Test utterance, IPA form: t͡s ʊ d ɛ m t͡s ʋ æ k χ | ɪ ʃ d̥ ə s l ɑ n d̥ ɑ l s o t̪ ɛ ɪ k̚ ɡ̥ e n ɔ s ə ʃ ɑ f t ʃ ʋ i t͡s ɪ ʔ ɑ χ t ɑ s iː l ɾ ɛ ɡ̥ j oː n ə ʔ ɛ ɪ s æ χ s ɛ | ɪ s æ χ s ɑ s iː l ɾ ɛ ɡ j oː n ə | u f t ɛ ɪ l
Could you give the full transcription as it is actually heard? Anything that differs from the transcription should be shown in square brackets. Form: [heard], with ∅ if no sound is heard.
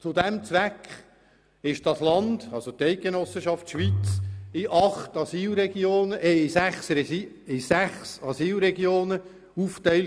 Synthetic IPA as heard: t͡s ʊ d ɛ m t͡s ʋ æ k χ | ɪ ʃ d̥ [ɑ] s l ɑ n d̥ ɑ l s o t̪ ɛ ɪ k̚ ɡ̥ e n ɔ s ə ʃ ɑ f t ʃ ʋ i t͡s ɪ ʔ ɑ χ t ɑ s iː l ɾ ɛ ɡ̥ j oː n ə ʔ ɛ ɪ s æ χ s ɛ | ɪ s æ χ s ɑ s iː l ɾ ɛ ɡ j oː n ə | u f t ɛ ɪ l